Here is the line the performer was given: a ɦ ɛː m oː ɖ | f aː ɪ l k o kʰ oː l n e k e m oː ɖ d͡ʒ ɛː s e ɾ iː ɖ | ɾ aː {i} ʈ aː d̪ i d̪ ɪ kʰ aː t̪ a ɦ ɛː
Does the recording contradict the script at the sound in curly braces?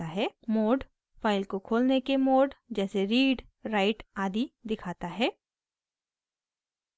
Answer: yes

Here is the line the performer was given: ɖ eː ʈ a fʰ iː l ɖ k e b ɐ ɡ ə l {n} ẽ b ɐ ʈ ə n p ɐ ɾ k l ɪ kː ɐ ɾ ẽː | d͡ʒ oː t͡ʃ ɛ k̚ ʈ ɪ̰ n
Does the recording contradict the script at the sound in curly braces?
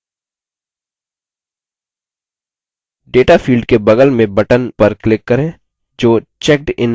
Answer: yes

